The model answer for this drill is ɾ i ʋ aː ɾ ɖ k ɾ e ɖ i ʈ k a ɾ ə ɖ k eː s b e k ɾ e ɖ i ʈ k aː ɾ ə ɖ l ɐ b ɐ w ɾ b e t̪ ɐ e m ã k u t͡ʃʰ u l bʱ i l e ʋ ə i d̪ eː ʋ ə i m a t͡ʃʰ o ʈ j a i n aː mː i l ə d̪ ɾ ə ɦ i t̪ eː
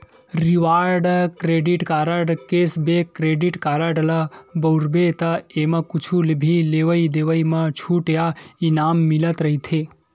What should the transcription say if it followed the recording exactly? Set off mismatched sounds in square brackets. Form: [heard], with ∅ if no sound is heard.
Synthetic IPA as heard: ɾ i ʋ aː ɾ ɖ k ɾ e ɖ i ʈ k a ɾ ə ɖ k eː s b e k ɾ e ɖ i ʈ k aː ɾ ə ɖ l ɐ b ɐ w ɾ b e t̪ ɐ e m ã k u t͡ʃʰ u l bʱ i l e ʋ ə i d̪ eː ʋ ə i m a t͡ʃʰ [u] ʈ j a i n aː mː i l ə [t̪] ɾ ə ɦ i [t̪ʰ] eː